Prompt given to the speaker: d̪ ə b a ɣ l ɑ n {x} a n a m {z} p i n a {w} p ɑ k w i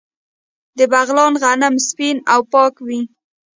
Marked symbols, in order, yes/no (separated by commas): no, no, yes